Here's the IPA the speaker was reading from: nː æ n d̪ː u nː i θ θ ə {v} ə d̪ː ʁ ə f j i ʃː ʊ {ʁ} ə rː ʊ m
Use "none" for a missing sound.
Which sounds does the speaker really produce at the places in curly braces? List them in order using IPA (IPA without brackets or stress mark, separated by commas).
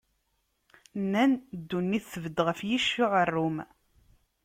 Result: v, ʕ